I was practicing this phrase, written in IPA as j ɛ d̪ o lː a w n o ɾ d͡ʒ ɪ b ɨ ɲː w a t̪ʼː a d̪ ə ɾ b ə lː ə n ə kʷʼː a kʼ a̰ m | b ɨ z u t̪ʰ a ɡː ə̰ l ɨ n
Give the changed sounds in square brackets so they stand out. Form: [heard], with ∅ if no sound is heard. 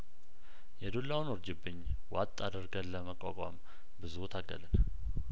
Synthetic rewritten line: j ɛ d̪ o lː a w n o ɾ d͡ʒ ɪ b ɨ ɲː w a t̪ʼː a d̪ ə ɾ [ɡ] ə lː ə [m] ə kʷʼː a kʼ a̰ m | b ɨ z u t̪ʰ a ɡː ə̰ l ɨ n